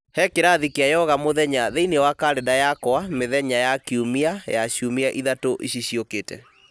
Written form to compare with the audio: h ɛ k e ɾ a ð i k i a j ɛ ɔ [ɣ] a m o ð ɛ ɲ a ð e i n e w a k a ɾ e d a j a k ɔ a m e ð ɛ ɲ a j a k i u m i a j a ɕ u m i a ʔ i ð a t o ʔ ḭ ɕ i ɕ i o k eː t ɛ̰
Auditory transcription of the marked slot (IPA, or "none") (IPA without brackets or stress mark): ɣ